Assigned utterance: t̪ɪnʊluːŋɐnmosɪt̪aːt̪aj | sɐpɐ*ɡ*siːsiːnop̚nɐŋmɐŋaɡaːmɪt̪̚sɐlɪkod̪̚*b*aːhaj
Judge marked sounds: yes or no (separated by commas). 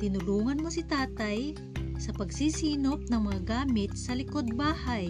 yes, yes